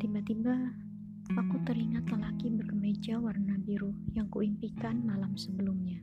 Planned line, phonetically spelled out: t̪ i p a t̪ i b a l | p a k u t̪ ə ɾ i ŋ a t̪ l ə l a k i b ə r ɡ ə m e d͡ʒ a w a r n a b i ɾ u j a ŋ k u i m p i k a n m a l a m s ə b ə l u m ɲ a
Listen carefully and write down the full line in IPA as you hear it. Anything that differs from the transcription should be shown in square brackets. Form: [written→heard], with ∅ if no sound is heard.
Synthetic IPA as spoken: t̪ i [p→b] a t̪ i b a [l→∅] | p a k u t̪ ə ɾ i ŋ a t̪ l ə l a k i b ə r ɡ ə m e d͡ʒ a w a r n a b i ɾ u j a ŋ k u i m p i k a n m a l a m s ə b ə l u m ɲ a